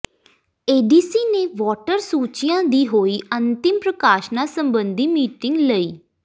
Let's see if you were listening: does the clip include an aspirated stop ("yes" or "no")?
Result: no